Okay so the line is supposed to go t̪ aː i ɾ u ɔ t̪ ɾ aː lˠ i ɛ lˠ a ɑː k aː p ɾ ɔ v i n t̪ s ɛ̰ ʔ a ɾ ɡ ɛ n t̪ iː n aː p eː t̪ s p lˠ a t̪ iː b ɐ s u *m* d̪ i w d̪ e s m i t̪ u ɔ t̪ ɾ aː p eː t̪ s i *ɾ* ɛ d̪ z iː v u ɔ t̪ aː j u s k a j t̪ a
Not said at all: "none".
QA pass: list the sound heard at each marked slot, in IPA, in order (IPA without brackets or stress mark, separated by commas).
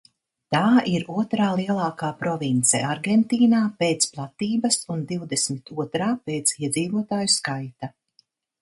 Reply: n, none